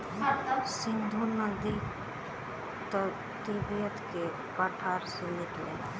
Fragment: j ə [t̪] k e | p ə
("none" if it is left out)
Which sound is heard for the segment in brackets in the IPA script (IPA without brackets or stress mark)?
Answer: t̪